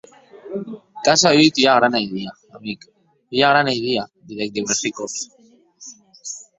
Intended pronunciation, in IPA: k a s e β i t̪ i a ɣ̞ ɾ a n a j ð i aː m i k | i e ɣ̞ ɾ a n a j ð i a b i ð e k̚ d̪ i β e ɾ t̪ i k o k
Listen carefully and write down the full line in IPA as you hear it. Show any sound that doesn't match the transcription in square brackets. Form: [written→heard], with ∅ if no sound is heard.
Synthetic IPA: k a s [e→a] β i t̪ i a ɣ̞ ɾ a n a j ð i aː m i k | i [e→a] ɣ̞ ɾ a n a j ð i a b i ð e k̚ d̪ i β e ɾ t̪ i k o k

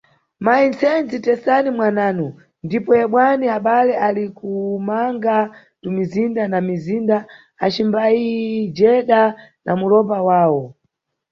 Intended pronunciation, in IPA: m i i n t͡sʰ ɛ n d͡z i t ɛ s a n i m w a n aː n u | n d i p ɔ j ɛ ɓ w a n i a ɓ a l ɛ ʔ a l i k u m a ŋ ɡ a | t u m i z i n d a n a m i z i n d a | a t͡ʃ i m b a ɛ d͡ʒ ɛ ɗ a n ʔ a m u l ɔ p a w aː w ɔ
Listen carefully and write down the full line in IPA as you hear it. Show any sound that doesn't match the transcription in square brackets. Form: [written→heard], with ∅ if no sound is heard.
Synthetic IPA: m [i→a] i n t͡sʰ ɛ n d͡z i t ɛ s a n i m w a n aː n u | n d i p ɔ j ɛ ɓ w a n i a ɓ a l ɛ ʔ a l i k u m a ŋ ɡ a | t u m i z i n d a n a m i z i n d a | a t͡ʃ i m b a [ɛ→i] d͡ʒ ɛ ɗ a n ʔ a m u l ɔ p a w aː w ɔ

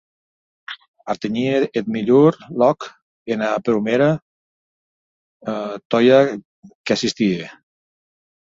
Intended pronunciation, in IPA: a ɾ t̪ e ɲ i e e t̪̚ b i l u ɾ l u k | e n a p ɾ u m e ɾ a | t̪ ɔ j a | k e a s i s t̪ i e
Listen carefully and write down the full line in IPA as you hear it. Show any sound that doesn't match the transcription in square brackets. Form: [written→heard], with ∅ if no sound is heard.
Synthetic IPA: a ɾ t̪ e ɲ i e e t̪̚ [b→m] i [l→ʎ] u ɾ l [u→ɔ] k | e n a p ɾ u m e ɾ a | t̪ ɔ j a | k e a s i s t̪ i e

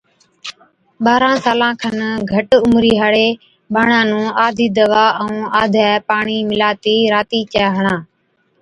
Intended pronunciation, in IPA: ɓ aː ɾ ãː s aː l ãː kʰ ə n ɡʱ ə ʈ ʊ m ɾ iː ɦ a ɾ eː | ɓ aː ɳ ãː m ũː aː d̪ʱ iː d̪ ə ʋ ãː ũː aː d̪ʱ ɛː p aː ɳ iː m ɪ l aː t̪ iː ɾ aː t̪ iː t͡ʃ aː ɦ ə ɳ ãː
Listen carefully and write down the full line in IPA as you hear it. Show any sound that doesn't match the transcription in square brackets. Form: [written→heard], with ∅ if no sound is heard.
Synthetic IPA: ɓ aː ɾ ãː s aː l ãː kʰ ə n ɡʱ ə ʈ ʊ m ɾ iː ɦ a [ɾ→ɽ] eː | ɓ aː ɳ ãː [m→n] ũː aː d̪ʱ iː d̪ ə ʋ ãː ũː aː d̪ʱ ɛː p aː ɳ iː m ɪ l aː t̪ iː ɾ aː t̪ iː t͡ʃ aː ɦ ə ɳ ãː

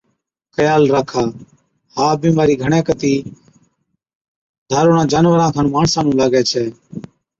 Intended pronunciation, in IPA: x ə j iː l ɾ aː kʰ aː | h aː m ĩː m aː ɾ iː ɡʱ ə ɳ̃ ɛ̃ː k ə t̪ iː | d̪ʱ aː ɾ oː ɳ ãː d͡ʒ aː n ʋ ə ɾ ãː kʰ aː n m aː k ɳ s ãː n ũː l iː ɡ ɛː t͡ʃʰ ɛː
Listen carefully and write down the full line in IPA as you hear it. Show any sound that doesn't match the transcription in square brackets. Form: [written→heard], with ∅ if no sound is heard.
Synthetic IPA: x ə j [iː→aː] l ɾ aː kʰ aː | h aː [m→b] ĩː m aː ɾ iː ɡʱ ə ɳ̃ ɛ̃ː k ə t̪ iː | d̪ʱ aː ɾ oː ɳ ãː d͡ʒ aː n ʋ ə ɾ ãː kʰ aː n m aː [k→∅] ɳ s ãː n ũː l [iː→aː] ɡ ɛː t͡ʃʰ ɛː

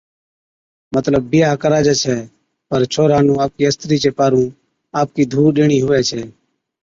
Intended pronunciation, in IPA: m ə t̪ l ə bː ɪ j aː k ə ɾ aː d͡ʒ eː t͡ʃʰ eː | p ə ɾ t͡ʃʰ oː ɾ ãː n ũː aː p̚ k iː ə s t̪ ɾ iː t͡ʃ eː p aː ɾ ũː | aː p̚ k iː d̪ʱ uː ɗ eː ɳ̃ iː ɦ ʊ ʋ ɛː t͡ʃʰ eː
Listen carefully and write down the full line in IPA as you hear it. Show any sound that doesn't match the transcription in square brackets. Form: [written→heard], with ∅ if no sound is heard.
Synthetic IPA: m ə t̪ l ə bː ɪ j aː k ə ɾ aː d͡ʒ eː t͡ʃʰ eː | p ə ɾ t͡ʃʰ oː ɾ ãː n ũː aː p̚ k iː ə s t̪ ɾ iː t͡ʃ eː p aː ɾ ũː | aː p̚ k iː d̪ʱ uː ɗ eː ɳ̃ iː ɦ ʊ ʋ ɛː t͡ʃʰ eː

